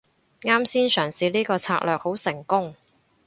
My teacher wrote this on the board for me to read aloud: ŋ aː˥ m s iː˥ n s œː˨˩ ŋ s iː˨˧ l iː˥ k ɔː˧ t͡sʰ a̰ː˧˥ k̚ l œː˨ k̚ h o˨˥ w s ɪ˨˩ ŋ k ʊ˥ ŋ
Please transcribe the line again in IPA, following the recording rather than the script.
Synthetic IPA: ŋ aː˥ m s iː˥ n s œː˨˩ ŋ s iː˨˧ l iː˥ k ɔː˧ t͡sʰ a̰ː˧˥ k̚ l œː˨ k̚ h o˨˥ w s ɪ˨˩ ŋ k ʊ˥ ŋ

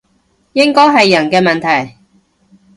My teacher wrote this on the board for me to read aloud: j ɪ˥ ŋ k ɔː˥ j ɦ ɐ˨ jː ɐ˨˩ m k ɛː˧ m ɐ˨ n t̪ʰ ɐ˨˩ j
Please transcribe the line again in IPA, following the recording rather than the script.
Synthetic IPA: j ɪ˥ ŋ k ɔː˥ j ɦ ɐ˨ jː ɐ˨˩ n k ɛː˧ m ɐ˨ n t̪ʰ ɐ˨˩ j

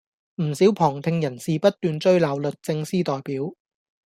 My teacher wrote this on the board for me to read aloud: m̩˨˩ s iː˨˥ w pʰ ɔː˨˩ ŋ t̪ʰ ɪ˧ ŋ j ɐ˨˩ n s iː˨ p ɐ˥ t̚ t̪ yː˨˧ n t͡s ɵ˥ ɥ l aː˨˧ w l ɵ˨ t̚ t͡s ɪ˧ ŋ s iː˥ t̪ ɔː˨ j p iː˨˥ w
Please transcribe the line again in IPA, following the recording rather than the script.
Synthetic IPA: m̩˨˩ s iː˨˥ w pʰ ɔː˨˩ ŋ t̪ʰ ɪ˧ ŋ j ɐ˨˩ n s iː˨ p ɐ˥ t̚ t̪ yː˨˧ n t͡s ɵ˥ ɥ l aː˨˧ w l ɵ˨ t̚ t͡s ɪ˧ ŋ s iː˥ t̪ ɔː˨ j p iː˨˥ w

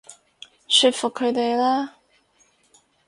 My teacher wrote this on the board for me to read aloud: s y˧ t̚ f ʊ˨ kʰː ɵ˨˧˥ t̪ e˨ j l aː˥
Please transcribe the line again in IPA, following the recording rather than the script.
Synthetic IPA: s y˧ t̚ f ʊ˨ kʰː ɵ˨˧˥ t̪ e˨ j l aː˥

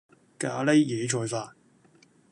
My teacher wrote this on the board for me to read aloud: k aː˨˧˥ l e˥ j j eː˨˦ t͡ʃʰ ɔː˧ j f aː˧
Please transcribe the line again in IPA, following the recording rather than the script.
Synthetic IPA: k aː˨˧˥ l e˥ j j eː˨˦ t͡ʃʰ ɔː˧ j f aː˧

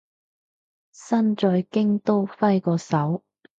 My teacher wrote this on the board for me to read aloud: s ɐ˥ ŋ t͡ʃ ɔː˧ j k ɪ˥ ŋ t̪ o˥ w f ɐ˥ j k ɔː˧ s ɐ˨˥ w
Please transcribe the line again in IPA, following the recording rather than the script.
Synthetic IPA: s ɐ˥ n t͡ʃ ɔː˧ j k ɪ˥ ŋ t̪ o˥ w f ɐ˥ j k ɔː˧ s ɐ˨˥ w

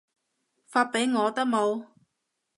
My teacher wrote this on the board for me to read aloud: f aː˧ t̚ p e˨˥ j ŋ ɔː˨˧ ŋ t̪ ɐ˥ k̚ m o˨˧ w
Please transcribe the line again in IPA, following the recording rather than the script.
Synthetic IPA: f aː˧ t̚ p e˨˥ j ŋ ɔː˨˧ t̪ ɐ˥ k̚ m o˨˧ w

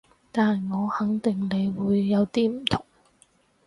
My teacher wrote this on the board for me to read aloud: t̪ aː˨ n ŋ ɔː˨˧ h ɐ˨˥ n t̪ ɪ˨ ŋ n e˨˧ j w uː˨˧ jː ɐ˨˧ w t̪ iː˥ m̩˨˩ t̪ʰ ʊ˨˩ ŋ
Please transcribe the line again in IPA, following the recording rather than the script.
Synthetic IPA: t̪ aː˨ n ŋ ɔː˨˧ h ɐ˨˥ ŋ t̪ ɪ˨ ŋ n e˨˧ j w uː˨˧ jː ɐ˨˧ w t̪ iː˥ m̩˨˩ t̪ʰ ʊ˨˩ ŋ

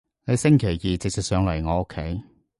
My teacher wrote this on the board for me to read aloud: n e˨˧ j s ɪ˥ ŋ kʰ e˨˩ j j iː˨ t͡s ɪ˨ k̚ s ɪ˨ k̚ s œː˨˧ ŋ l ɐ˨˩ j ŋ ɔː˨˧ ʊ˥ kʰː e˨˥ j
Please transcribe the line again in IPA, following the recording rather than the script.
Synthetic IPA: n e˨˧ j s ɪ˥ ŋ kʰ e˨˩ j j iː˨ t͡s ɪ˨ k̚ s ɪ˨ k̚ s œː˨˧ ŋ l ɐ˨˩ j ŋ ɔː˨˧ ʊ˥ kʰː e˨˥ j

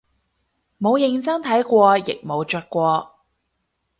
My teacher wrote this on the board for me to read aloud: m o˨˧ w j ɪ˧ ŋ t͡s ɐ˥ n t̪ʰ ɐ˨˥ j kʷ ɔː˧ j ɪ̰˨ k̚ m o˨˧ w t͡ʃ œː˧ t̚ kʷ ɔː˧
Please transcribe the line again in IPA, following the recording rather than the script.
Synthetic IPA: m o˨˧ w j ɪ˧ ŋ t͡s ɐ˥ ŋ t̪ʰ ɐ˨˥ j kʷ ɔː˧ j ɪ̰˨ k̚ m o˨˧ w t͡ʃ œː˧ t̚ kʷ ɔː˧

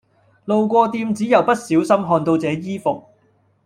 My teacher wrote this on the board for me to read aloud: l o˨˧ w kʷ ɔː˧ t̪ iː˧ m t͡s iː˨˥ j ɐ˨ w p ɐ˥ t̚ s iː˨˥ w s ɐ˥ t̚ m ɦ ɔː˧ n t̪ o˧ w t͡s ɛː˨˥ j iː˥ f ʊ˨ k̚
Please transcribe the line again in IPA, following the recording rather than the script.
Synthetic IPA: l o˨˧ w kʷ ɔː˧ t̪ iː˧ m t͡s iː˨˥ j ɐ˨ w p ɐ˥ t̚ s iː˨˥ w s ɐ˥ m ɦ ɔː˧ n t̪ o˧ w t͡s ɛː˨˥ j iː˥ f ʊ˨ k̚

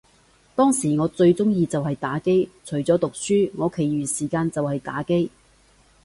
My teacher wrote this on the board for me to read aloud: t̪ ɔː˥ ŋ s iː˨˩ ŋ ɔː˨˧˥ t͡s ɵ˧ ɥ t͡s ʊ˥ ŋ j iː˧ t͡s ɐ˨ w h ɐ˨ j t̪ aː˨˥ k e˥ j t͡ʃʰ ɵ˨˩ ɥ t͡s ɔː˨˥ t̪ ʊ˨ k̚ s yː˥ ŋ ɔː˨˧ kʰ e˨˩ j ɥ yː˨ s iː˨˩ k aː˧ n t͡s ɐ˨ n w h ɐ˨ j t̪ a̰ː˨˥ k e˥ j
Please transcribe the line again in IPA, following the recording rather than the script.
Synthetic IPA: t̪ ɔː˥ ŋ s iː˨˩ ŋ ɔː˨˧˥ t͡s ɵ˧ ɥ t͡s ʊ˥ ŋ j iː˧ t͡s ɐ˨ w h ɐ˨ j t̪ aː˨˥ k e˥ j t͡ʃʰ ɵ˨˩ ɥ t͡s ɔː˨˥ t̪ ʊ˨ k̚ s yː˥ ŋ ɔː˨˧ kʰ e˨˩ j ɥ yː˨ s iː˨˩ k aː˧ n t͡s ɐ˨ w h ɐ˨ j t̪ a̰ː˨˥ k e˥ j

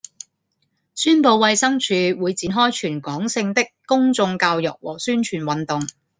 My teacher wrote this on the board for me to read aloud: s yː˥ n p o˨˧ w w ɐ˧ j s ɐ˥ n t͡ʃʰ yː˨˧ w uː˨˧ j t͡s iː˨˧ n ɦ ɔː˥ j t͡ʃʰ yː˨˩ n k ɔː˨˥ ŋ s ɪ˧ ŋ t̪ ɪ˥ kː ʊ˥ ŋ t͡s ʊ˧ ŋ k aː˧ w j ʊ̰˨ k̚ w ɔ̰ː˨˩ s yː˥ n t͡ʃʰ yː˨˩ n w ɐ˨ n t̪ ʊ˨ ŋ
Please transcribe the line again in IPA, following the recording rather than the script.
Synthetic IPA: s yː˥ n p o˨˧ w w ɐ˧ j s ɐ˥ ŋ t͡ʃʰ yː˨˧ w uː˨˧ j t͡s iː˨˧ n ɦ ɔː˥ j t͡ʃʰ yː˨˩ n k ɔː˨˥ ŋ s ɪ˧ ŋ t̪ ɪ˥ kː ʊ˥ ŋ t͡s ʊ˧ ŋ k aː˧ w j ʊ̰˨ k̚ w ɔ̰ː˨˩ s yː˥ n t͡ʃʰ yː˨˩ n w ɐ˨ n t̪ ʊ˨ ŋ

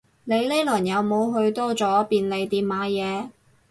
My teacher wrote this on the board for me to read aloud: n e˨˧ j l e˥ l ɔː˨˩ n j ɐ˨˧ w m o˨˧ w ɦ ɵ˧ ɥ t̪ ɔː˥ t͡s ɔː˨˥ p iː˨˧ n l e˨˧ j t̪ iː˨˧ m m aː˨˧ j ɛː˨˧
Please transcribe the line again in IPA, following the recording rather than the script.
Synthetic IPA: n e˨˧ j l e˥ l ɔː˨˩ n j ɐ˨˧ w m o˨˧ w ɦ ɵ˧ ɥ t̪ ɔː˥ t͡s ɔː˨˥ p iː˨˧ n l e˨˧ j t̪ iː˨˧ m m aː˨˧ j ɛː˨˧

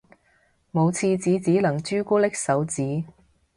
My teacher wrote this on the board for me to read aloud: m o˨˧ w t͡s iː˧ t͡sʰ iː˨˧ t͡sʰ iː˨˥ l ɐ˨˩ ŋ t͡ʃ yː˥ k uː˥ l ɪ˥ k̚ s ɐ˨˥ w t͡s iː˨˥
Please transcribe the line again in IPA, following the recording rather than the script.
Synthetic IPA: m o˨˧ w t͡sʰ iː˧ t͡s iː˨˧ t͡s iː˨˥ l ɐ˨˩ ŋ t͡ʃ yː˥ k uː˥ l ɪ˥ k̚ s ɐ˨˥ w t͡s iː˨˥

